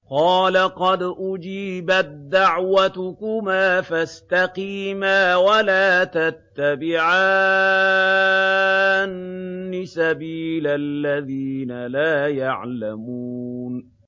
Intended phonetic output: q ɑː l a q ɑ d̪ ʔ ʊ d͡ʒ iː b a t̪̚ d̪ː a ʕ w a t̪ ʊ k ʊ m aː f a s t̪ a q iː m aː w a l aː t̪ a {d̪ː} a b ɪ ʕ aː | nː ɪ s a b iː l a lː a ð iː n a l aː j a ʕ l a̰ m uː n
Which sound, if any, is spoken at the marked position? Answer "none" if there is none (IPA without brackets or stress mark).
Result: t̪ː